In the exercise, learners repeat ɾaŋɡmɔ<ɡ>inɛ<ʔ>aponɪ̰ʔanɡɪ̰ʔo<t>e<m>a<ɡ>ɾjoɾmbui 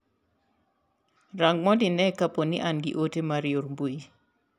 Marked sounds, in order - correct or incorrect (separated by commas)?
incorrect, incorrect, correct, correct, incorrect